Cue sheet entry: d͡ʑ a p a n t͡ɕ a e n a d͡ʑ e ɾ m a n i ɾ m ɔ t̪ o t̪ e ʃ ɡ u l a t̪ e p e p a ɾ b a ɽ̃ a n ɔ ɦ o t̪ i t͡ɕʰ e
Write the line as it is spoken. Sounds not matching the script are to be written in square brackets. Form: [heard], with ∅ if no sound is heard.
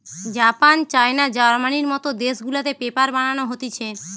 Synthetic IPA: d͡ʑ a p a n t͡ɕ a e n a d͡ʑ [a] ɾ m a n i ɾ m ɔ t̪ o [d̪] e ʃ ɡ u l a t̪ e p e p a ɾ b a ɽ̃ a n [o] ɦ o t̪ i t͡ɕʰ e

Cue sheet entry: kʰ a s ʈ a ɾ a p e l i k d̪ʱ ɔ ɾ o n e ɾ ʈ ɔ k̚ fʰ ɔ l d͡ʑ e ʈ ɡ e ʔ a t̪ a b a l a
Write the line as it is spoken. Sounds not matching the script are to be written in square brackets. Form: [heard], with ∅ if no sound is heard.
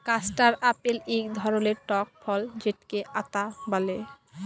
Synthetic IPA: [k] a s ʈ a ɾ a p e l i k d̪ʱ ɔ ɾ o n e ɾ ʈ ɔ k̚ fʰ ɔ l d͡ʑ e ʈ [k] e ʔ a t̪ a b a l [e]

